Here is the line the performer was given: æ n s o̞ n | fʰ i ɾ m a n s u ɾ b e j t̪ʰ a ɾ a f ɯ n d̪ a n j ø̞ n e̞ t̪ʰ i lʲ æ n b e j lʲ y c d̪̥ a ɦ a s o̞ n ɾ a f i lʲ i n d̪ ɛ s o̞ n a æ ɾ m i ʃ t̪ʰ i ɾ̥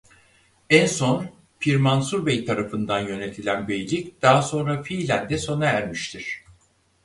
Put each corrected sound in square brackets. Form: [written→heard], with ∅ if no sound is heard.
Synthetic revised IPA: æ n s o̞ n | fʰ i ɾ m a n s u ɾ b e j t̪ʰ a ɾ a f ɯ n d̪ a n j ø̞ n e̞ t̪ʰ i lʲ æ n b e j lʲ [y→i] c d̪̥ a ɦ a s o̞ n ɾ a f i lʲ [i→æ] n d̪ ɛ s o̞ n a æ ɾ m i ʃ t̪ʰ i ɾ̥

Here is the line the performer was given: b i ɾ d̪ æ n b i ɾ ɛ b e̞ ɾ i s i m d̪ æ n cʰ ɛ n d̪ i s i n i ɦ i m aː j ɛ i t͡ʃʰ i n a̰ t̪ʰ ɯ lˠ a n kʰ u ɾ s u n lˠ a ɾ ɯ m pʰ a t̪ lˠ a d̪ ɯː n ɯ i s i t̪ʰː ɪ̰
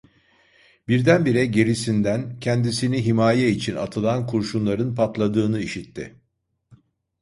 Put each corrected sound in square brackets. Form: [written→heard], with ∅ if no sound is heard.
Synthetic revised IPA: b i ɾ d̪ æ n b i ɾ ɛ [b→ɟ] e̞ ɾ i s i [m→n] d̪ æ n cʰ ɛ n d̪ i s i n i ɦ i m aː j ɛ i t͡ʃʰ i n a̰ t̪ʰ ɯ lˠ a n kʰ u ɾ [s→ʃ] u n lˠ a ɾ ɯ [m→n] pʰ a t̪ lˠ a d̪ ɯː n ɯ i [s→ʃ] i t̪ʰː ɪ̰

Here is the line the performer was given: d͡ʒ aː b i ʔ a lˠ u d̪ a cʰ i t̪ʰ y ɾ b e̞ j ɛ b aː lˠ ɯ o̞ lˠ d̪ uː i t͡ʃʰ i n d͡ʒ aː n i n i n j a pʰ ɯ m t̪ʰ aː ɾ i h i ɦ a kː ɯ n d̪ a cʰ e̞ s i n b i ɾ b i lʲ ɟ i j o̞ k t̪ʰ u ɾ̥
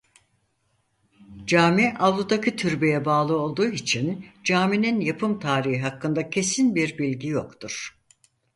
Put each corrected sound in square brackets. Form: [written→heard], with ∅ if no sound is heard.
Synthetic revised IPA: d͡ʒ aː [b→m] i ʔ a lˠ u d̪ a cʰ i t̪ʰ y ɾ b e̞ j ɛ b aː lˠ ɯ o̞ lˠ d̪ uː i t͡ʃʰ i n d͡ʒ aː [n→m] i n i n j a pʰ ɯ m t̪ʰ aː ɾ i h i ɦ a kː ɯ n d̪ a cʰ e̞ s i n b i ɾ b i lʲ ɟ i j o̞ k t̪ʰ u ɾ̥

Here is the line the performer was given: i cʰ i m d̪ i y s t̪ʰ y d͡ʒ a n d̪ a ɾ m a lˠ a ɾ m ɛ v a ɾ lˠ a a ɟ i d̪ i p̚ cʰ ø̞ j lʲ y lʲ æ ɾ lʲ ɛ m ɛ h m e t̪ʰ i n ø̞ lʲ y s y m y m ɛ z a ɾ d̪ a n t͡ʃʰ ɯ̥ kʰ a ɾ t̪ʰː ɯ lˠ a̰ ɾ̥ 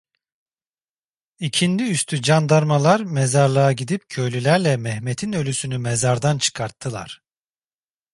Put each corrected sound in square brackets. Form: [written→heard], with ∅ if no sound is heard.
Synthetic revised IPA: i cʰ i [m→n] d̪ i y s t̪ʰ y d͡ʒ a n d̪ a ɾ m a lˠ a ɾ m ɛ [v→z] a ɾ lˠ a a ɟ i d̪ i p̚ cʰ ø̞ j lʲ y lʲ æ ɾ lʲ ɛ m ɛ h m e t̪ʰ i n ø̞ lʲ y s y [m→n] y m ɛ z a ɾ d̪ a n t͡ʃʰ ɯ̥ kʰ a ɾ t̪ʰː ɯ lˠ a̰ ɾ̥

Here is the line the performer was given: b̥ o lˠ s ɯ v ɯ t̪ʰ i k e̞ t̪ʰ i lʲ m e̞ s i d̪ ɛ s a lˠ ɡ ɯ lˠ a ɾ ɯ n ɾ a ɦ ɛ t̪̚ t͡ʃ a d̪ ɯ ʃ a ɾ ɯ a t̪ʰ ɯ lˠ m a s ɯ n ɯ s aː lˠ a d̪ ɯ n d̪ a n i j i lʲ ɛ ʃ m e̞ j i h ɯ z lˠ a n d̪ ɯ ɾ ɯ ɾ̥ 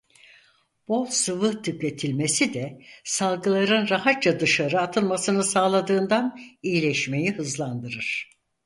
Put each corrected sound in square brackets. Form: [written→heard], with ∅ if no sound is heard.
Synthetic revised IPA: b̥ o lˠ s ɯ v ɯ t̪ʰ [i→y] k e̞ t̪ʰ i lʲ m e̞ s i d̪ ɛ s a lˠ ɡ ɯ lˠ a ɾ ɯ n ɾ a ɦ [ɛ→a] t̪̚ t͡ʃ a d̪ ɯ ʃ a ɾ ɯ a t̪ʰ ɯ lˠ m a s ɯ n ɯ s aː lˠ a d̪ [ɯ→ɯː] n d̪ a n i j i lʲ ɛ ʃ m e̞ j i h ɯ z lˠ a n d̪ ɯ ɾ ɯ ɾ̥

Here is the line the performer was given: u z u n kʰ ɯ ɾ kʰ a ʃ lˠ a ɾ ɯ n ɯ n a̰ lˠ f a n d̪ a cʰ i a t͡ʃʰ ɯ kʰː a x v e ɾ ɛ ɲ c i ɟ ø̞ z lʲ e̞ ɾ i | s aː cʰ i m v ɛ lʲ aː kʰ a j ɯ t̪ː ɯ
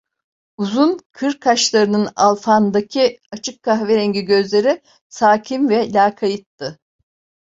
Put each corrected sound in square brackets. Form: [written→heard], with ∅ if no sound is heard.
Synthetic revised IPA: u z u n kʰ ɯ ɾ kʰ a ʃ lˠ a ɾ ɯ n ɯ n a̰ lˠ f a n d̪ a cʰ i a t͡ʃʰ ɯ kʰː a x v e ɾ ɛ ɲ [c→ɟ] i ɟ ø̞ z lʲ e̞ ɾ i | s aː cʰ i m v ɛ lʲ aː kʰ a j ɯ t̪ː ɯ

